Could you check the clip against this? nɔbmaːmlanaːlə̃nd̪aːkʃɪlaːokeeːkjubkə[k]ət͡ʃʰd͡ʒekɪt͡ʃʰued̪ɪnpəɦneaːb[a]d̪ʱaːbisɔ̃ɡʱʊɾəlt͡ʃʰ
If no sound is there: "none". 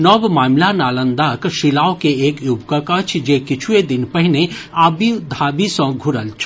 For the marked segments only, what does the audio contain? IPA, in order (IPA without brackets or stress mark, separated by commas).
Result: k, i